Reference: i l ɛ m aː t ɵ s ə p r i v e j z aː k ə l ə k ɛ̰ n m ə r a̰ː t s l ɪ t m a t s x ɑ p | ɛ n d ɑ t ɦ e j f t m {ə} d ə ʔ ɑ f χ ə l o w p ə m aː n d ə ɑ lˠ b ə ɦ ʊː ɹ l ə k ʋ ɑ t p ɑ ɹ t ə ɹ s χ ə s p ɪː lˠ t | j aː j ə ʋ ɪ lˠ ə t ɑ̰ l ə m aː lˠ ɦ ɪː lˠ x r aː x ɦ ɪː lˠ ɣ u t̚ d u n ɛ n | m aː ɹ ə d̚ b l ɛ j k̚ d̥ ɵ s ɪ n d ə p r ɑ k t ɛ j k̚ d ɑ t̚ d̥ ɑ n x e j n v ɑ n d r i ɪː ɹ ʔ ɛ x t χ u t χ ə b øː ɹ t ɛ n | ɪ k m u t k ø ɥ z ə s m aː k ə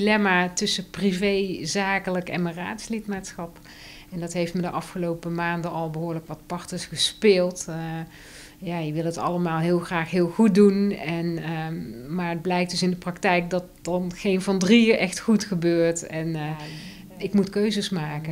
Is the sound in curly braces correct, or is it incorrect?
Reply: correct